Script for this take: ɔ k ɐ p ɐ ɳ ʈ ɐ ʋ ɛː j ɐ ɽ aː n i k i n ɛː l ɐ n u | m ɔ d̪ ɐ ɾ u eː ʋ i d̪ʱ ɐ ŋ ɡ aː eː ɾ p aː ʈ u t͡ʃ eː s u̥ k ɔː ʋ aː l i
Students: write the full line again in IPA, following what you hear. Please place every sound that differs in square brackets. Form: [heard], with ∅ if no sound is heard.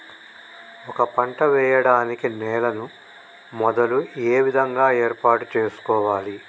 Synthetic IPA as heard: ɔ k ɐ p ɐ ɳ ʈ ɐ ʋ ɛː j ɐ ɽ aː n i k i n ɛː l ɐ n u | m ɔ d̪ ɐ [l] u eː ʋ i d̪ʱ ɐ ŋ ɡ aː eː ɾ p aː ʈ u t͡ʃ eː s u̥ k ɔː ʋ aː l i